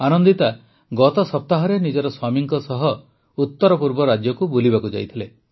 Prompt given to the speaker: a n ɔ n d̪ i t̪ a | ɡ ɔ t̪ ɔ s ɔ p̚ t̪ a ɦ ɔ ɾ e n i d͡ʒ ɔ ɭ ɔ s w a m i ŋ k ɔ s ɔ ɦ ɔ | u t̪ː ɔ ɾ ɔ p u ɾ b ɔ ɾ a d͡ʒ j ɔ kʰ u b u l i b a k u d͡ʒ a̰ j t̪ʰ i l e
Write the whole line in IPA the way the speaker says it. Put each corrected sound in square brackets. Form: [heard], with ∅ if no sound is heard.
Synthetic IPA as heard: a n ɔ n d̪ i t̪ a | ɡ ɔ t̪ ɔ s ɔ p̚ t̪ a ɦ ɔ ɾ e n i d͡ʒ ɔ [ɾ] ɔ s w a m i ŋ k ɔ s ɔ ɦ ɔ | u t̪ː ɔ ɾ ɔ p u ɾ b ɔ ɾ a d͡ʒ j ɔ [k] u b u l i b a k u d͡ʒ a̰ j t̪ʰ i l e

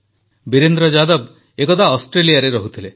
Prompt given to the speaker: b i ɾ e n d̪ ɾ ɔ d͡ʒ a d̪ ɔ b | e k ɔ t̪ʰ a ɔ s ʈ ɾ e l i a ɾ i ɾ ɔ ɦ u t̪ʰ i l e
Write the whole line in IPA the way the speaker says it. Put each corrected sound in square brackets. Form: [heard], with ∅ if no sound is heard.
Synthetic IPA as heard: b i ɾ e n d̪ ɾ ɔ d͡ʒ a d̪ ɔ b | e k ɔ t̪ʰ a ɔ s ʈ ɾ e l i a ɾ [e] ɾ ɔ ɦ u t̪ʰ i l e

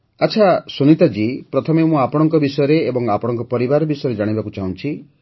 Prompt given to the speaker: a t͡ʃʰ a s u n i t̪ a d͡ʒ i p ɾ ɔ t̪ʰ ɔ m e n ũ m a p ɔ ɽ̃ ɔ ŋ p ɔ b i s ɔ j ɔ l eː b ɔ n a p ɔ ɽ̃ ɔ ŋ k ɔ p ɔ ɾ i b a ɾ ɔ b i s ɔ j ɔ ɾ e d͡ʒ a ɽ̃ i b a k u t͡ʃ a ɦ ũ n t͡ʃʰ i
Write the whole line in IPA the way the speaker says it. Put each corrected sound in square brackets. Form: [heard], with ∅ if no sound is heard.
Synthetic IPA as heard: a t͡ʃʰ a s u n i t̪ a d͡ʒ i p ɾ ɔ t̪ʰ ɔ m e [m] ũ [∅] a p ɔ ɽ̃ ɔ ŋ [k] ɔ b i s ɔ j ɔ [ɾ] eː b ɔ [ŋ] a p ɔ ɽ̃ ɔ ŋ k ɔ p ɔ ɾ i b a ɾ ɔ b i s ɔ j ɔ ɾ e d͡ʒ a ɽ̃ i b a k u t͡ʃ a ɦ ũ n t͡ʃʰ i

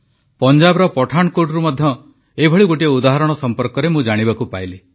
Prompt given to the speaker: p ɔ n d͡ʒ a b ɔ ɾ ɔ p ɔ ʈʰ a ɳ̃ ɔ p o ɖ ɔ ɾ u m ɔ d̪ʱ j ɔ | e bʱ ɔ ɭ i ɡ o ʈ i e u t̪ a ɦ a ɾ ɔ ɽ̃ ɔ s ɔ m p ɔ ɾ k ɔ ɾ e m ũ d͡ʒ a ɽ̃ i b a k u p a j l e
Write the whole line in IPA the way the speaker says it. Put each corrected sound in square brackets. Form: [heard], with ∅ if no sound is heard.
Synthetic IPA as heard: p ɔ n d͡ʒ a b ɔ ɾ ɔ p ɔ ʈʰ a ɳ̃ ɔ [k] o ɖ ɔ ɾ u m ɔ d̪ʱ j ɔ | e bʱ ɔ ɭ i ɡ o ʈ i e u [d̪] a ɦ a ɾ ɔ ɽ̃ ɔ s ɔ m p ɔ ɾ k ɔ ɾ e m ũ d͡ʒ a ɽ̃ i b a k u p a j l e

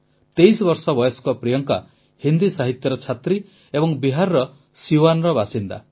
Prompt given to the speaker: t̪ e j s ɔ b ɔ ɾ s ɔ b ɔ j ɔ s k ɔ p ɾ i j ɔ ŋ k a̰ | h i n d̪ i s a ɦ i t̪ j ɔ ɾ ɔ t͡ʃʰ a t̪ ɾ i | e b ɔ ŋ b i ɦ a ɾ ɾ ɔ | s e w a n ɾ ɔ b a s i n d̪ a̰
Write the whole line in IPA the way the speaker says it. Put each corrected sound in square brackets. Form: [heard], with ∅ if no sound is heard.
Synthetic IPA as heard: t̪ e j s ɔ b ɔ ɾ s ɔ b ɔ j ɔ s k ɔ p ɾ i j ɔ ŋ k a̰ | h i n d̪ i s a ɦ i t̪ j ɔ ɾ ɔ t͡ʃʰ a t̪ ɾ i | e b ɔ ŋ b i ɦ a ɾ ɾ ɔ | s [i] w a n ɾ ɔ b a s i n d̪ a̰

